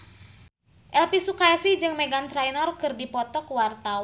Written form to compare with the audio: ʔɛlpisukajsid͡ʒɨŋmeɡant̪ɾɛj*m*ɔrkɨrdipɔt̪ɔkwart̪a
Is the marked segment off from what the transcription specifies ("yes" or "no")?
yes